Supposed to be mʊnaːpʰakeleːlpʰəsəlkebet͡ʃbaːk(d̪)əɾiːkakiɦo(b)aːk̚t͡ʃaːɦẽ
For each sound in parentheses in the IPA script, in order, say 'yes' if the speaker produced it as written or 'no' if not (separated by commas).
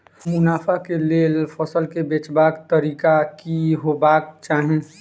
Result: no, yes